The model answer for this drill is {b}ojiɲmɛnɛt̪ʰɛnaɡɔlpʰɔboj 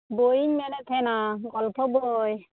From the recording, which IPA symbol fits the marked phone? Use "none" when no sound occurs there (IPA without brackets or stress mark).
b